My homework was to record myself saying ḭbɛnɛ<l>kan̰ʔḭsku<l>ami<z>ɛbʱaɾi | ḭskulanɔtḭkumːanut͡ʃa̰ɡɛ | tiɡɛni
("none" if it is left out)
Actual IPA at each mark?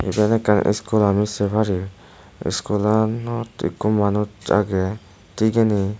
none, l, s

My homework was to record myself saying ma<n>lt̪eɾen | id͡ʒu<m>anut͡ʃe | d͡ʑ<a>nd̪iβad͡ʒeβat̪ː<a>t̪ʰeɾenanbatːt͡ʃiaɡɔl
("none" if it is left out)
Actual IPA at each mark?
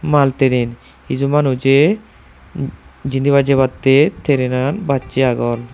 none, m, i, e

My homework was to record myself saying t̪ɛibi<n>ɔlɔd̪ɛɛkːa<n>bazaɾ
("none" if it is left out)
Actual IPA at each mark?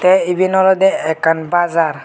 n, n

